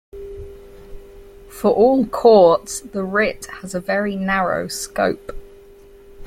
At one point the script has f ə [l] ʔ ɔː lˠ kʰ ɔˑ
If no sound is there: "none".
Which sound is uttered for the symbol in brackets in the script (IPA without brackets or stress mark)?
ɹ